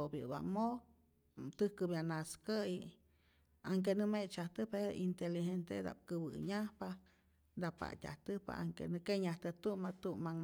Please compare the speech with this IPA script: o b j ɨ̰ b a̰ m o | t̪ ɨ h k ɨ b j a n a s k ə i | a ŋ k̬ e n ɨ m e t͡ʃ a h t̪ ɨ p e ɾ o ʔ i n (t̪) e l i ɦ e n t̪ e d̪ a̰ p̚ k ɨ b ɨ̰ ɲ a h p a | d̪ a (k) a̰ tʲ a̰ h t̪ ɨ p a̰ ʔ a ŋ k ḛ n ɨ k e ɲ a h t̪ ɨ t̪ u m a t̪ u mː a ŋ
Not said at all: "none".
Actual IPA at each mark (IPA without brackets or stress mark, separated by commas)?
t̪, p